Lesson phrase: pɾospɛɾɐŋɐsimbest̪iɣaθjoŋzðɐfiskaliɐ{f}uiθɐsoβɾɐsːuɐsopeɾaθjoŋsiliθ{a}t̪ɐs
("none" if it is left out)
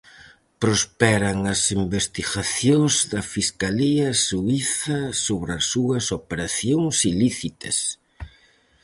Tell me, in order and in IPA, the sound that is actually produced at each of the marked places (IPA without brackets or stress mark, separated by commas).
s, i